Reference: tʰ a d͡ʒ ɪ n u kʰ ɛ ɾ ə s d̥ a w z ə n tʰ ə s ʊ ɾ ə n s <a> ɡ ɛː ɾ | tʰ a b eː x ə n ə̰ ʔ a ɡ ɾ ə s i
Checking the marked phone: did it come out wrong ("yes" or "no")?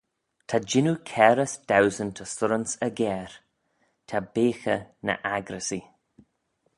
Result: yes